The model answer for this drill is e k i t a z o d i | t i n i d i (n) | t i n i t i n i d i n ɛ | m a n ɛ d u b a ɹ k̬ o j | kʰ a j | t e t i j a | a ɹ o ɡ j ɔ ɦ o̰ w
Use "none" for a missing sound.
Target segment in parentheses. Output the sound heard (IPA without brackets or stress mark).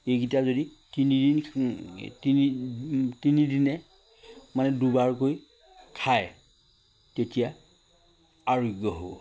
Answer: n